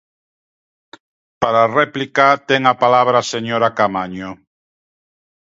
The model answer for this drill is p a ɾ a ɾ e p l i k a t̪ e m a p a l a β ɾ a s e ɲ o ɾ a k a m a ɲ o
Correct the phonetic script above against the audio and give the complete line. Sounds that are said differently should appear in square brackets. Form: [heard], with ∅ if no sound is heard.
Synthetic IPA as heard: p a ɾ a [r] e p l i k a t̪ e [ŋ] a p a l a β ɾ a s e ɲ o ɾ a k a m a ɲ o